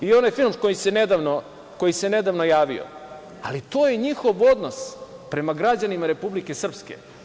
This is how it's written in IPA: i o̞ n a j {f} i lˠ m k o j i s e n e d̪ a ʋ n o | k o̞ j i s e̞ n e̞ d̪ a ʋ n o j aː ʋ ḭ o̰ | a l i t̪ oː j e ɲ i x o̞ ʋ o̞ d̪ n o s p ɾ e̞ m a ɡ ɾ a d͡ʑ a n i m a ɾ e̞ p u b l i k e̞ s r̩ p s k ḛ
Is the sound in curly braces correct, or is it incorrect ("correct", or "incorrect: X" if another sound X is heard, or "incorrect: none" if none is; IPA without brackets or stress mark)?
correct